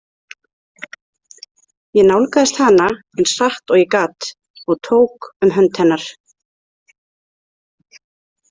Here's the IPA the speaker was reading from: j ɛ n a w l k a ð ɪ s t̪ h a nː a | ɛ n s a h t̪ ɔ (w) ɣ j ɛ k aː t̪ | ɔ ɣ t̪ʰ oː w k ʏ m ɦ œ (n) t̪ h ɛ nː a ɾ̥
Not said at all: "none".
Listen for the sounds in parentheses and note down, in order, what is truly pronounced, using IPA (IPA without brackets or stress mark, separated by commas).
none, n